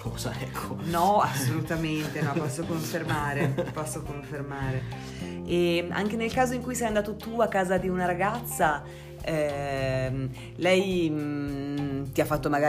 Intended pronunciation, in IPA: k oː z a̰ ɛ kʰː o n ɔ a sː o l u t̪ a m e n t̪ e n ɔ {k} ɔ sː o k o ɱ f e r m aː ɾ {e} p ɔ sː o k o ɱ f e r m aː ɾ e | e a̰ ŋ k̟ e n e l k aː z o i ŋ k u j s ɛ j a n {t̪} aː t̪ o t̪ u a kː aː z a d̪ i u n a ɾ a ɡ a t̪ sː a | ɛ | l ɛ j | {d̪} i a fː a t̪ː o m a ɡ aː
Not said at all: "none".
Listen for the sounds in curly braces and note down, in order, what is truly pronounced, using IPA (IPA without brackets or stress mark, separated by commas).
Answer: p, e, d̪, t̪